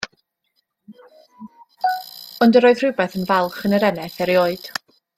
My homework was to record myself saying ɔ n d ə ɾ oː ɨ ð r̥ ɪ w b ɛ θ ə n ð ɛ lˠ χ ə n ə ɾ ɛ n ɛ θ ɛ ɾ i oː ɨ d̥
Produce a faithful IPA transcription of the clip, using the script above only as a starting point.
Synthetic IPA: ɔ n d ə ɾ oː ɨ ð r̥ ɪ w b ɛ θ ə n v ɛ lˠ χ ə n ə ɾ ɛ n ɛ θ ɛ ɾ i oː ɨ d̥